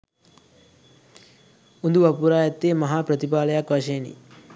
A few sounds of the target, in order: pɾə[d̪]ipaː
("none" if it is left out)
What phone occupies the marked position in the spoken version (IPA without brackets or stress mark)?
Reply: t̪